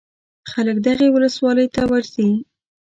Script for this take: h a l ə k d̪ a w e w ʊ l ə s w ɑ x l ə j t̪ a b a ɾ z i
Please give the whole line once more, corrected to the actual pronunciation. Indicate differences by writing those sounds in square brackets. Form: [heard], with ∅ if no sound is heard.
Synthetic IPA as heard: [x] a l ə k d̪ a [ɣ] e w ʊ l ə s w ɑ [∅] l ə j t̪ a [w] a ɾ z i

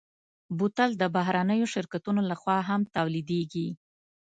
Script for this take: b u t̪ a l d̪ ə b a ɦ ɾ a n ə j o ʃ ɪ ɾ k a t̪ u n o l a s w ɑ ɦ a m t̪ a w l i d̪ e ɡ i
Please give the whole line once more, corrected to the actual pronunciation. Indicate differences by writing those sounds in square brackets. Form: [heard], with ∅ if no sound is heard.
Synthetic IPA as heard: b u t̪ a l d̪ ə b a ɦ ɾ a n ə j o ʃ ɪ ɾ k a t̪ u n o l a [x] w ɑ ɦ a m t̪ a w l i d̪ e ɡ i

